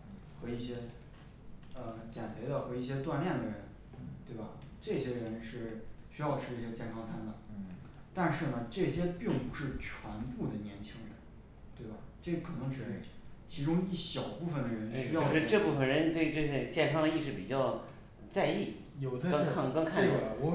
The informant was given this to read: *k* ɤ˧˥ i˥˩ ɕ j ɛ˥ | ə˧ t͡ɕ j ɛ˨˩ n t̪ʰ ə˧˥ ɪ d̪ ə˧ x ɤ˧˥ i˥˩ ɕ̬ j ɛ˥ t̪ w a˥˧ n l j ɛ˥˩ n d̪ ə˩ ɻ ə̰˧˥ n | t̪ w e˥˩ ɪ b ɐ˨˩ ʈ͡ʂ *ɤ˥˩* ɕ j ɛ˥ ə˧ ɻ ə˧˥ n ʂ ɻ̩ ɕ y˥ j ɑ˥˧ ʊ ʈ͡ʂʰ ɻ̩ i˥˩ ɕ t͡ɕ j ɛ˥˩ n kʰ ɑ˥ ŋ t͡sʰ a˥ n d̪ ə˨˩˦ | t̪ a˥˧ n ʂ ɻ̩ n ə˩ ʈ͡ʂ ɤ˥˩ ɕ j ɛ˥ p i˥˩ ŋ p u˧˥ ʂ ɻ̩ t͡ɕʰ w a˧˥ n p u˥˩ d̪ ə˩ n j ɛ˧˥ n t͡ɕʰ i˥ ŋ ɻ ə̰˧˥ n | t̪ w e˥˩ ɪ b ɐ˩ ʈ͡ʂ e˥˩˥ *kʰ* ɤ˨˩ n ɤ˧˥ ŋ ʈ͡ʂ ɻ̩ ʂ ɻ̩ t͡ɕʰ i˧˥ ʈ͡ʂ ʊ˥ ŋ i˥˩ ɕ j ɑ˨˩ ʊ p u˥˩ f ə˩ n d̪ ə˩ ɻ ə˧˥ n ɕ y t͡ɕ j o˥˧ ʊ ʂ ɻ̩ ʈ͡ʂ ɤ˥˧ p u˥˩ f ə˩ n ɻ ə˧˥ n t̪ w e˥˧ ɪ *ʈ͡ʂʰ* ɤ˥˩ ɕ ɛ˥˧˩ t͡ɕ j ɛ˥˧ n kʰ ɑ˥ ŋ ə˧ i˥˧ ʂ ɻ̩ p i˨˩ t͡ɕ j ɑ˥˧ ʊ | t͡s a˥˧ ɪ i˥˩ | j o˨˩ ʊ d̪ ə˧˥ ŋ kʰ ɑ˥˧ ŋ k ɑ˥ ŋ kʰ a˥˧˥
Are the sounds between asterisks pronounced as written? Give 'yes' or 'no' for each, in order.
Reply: no, yes, yes, no

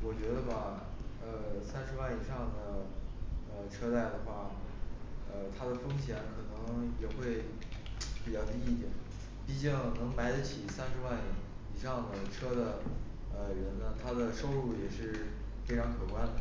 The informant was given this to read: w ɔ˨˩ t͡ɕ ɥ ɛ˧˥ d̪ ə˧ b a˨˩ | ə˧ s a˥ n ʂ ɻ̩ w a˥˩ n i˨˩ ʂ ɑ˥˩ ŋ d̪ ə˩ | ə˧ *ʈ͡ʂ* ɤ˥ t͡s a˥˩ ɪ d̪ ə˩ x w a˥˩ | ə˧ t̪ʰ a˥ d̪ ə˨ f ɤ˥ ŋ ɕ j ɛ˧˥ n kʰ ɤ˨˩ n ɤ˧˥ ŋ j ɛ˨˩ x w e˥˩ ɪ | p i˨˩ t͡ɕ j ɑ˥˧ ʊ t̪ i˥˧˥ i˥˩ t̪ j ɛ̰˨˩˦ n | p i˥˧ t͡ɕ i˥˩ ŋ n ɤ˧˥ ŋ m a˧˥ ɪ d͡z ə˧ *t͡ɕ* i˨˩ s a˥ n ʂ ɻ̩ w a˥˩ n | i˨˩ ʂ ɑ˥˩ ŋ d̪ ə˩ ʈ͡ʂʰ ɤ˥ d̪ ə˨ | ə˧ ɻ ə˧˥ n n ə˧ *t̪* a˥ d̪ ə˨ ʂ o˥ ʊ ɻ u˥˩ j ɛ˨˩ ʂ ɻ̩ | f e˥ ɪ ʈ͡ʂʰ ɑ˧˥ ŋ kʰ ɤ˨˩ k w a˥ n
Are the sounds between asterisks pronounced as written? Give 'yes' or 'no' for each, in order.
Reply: no, no, no

